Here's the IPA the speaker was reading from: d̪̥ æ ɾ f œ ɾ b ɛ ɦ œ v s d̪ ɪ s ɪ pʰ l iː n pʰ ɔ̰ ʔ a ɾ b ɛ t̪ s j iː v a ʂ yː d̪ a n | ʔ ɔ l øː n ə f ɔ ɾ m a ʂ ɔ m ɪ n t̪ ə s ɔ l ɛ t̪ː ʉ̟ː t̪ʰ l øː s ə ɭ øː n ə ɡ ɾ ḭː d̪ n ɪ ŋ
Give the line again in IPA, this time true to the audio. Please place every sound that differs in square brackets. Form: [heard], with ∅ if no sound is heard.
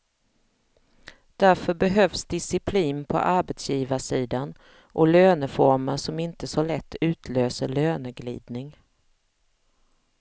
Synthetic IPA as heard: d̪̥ æ ɾ f œ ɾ b ɛ ɦ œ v s d̪ ɪ s ɪ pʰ l iː n pʰ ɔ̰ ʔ a ɾ b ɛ t̪ s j iː v a ʂ [iː] d̪ a n | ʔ ɔ l øː n ə f ɔ ɾ m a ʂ ɔ m ɪ n t̪ ə s ɔ l ɛ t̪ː ʉ̟ː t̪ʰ l øː s ə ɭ øː n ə ɡ [l] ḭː d̪ n ɪ ŋ